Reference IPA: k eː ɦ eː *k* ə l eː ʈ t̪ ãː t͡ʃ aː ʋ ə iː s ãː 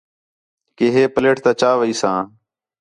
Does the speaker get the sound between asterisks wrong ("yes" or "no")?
yes